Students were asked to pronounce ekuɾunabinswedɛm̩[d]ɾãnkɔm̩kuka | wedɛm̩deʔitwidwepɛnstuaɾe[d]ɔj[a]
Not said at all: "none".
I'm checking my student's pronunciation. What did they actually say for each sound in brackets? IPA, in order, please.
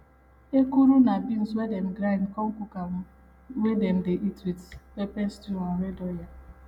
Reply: ɡ, d, a

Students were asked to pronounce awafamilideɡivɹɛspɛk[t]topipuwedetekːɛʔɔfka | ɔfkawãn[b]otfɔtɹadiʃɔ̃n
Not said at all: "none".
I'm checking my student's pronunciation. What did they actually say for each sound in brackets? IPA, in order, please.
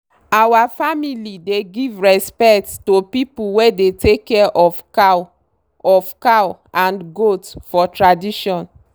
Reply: t, ɡ

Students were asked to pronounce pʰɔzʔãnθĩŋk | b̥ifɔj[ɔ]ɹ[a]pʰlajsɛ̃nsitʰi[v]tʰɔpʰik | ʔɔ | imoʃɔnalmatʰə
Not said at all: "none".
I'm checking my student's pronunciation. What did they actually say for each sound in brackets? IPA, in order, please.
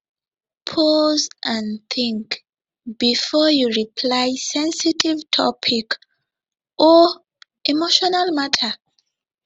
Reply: u, i, v

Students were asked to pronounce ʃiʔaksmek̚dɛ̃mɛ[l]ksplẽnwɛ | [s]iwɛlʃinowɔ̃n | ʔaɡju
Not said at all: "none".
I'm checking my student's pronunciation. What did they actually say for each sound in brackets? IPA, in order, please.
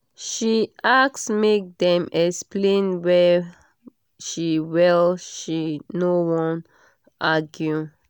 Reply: none, ʃ

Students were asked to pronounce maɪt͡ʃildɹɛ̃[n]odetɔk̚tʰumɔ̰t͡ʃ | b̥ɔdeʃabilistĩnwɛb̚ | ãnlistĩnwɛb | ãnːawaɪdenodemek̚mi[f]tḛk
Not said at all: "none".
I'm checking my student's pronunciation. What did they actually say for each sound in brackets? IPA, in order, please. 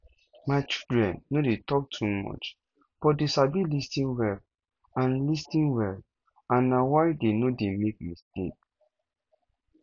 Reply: nː, s

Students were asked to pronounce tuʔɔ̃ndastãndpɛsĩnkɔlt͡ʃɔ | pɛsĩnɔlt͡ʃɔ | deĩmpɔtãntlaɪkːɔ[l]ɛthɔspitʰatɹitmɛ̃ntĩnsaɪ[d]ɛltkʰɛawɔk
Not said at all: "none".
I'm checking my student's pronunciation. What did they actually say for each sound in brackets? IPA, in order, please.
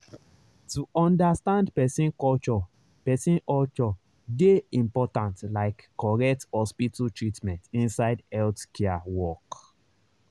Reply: ɹ, d

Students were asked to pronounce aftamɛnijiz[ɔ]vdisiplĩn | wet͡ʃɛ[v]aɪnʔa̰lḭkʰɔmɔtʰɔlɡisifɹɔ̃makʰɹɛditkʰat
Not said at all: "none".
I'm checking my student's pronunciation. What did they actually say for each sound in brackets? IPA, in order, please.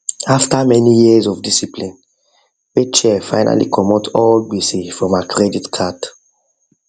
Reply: ɔ, f

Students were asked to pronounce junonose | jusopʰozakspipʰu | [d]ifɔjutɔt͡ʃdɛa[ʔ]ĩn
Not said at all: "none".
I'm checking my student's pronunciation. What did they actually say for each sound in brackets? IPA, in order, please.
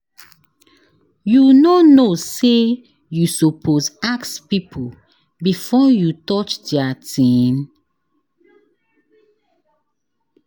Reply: b, t

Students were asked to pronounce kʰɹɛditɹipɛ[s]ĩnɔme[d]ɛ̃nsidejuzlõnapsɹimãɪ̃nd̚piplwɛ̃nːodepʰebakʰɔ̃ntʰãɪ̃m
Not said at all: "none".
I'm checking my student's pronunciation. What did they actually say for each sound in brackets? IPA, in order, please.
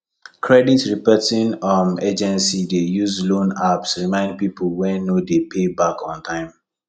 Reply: t, d͡ʒ

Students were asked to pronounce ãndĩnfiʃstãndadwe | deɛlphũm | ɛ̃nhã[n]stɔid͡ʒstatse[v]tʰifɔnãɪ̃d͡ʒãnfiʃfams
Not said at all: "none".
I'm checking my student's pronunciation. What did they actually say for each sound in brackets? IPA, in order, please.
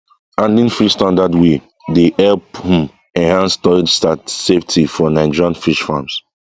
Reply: n, f

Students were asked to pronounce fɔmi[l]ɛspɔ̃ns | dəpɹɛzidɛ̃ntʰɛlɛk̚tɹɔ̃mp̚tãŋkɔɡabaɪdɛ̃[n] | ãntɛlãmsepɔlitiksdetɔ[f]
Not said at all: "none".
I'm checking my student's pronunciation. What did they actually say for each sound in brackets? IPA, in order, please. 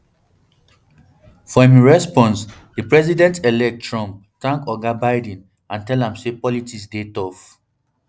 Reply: ɹ, n, f

